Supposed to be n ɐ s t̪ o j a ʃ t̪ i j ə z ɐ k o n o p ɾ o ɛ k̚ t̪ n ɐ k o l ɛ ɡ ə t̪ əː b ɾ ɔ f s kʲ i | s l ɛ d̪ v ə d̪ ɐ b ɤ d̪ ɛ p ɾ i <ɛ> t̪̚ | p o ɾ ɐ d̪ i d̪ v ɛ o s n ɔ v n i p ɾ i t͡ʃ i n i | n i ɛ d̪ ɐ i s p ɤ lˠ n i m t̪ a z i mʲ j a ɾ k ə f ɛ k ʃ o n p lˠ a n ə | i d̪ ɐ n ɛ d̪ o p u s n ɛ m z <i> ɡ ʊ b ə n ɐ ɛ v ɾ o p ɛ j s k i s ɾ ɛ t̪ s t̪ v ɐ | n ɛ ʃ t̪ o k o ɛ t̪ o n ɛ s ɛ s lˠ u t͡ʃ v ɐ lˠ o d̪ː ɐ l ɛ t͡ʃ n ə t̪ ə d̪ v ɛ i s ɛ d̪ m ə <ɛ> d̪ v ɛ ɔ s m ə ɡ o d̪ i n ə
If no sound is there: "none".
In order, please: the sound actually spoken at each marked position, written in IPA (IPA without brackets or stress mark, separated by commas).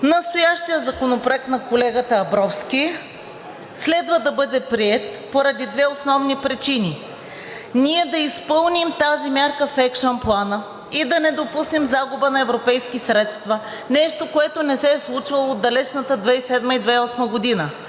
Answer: ɛ, a, i